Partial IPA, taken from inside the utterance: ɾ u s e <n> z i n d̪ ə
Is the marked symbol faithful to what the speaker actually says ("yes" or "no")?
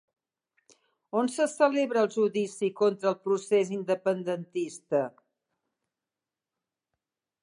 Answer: no